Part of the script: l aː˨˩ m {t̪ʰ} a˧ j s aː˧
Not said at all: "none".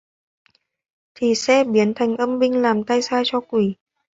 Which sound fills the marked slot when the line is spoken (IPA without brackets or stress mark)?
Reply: t̪